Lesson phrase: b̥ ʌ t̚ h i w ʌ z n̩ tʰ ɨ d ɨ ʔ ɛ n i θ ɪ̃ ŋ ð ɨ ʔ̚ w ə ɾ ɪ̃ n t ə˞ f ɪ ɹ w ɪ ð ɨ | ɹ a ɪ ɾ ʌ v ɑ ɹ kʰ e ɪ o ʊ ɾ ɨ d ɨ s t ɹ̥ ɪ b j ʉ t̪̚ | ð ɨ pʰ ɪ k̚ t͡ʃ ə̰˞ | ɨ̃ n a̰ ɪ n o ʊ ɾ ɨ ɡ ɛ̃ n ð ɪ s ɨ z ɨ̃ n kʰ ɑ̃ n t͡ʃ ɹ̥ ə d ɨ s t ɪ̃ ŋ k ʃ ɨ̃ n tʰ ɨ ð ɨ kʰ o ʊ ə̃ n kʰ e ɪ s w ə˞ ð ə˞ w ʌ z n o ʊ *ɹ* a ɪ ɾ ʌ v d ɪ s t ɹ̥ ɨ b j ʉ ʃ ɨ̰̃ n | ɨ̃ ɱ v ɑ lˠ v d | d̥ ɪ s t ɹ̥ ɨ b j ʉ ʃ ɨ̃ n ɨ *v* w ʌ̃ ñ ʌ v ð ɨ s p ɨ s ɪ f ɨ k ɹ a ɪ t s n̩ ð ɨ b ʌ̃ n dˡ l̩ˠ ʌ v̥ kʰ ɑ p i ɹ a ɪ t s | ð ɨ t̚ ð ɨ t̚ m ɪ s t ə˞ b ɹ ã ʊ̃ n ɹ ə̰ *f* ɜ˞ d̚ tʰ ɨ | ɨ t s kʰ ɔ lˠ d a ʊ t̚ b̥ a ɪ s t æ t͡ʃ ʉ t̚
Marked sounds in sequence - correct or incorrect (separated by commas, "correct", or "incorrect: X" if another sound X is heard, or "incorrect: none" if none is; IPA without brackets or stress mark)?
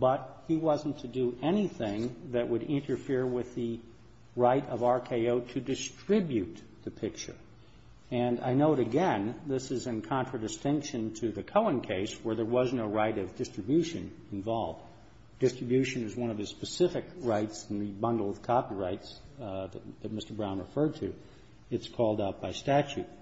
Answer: correct, incorrect: z, correct